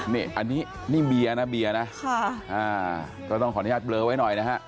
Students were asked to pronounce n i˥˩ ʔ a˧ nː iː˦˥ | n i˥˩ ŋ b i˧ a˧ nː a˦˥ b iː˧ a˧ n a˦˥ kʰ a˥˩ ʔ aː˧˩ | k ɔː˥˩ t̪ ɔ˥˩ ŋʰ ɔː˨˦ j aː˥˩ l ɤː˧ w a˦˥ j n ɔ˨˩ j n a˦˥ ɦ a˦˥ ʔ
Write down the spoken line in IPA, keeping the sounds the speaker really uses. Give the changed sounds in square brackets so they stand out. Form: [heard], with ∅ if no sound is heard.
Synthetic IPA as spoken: n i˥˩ ʔ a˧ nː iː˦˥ | n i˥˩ ŋ b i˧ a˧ [n] a˦˥ b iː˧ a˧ n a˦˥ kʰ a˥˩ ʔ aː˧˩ | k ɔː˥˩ t̪ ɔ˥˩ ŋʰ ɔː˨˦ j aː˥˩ l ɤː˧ w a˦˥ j n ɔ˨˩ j n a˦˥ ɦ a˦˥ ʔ

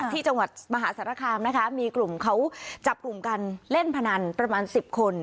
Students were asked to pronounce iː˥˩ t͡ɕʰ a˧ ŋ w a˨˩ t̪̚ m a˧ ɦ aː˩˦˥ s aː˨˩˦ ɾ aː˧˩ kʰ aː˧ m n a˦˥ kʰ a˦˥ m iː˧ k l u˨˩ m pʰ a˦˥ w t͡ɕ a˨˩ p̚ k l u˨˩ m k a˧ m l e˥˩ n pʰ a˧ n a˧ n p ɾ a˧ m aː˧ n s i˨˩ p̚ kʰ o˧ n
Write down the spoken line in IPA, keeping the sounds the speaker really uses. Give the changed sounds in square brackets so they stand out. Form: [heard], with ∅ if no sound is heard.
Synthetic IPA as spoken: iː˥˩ [t͡ɕ] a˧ ŋ w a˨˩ t̪̚ m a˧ ɦ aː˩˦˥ s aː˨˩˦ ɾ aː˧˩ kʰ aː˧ m n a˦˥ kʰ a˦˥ m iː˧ k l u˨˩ m [kʰ] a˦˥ w t͡ɕ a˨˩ p̚ k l u˨˩ m k a˧ [n] l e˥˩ n pʰ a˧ n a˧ n p ɾ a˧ m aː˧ n s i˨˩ p̚ kʰ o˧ n

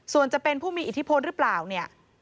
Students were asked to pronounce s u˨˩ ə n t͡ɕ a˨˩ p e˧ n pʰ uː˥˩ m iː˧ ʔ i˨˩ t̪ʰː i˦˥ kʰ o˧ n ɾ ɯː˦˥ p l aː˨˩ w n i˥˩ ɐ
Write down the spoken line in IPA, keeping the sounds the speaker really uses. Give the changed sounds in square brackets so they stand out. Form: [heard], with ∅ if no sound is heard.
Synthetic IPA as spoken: s u˨˩ ə n t͡ɕ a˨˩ p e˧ n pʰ uː˥˩ m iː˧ ʔ i˨˩ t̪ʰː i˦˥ [pʰ] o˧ n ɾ [ɯ˦˥] p l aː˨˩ w n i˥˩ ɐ

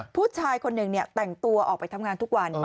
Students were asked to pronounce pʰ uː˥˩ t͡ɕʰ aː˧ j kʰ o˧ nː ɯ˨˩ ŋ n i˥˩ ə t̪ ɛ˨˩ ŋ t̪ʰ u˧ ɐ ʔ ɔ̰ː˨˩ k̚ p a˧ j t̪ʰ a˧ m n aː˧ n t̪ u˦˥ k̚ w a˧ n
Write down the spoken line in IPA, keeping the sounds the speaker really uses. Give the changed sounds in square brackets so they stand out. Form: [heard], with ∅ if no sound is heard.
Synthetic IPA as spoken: pʰ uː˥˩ t͡ɕʰ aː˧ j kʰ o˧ nː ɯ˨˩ ŋ n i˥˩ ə t̪ ɛ˨˩ ŋ [t̪] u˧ ɐ ʔ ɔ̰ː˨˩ k̚ p a˧ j t̪ʰ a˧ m [ŋ] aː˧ n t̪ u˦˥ k̚ w a˧ n

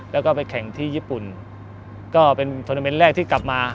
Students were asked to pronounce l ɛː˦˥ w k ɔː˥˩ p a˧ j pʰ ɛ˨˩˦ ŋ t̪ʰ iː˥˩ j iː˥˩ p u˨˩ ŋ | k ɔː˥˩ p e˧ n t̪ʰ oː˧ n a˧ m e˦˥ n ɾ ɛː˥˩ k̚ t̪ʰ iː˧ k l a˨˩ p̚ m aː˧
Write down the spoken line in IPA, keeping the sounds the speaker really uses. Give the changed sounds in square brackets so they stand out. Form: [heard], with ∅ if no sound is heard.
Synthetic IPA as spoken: l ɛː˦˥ w k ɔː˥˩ p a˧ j [kʰ] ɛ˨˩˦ ŋ t̪ʰ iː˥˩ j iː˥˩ p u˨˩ [n] | k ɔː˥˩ p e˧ n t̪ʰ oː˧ n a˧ m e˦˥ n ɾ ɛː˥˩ k̚ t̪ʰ [iː˥˩] k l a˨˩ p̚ m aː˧

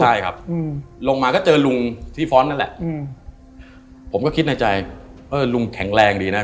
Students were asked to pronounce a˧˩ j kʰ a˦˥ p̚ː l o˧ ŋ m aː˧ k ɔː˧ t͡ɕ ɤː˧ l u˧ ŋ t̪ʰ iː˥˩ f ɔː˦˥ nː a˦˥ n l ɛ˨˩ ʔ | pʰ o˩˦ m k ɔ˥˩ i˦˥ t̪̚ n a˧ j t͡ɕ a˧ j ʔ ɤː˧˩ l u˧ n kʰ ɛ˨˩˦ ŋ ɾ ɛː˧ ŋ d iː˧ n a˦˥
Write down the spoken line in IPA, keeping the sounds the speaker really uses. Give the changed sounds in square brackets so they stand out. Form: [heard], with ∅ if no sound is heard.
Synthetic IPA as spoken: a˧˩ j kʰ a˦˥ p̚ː l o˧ ŋ m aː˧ k [ɔː˥˩] t͡ɕ ɤː˧ l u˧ ŋ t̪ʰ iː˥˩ f ɔː˦˥ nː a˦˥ n l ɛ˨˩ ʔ | pʰ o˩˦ m k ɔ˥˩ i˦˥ t̪̚ n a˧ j t͡ɕ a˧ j ʔ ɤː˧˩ l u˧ [ŋ] kʰ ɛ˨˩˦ ŋ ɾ ɛː˧ ŋ d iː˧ n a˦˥

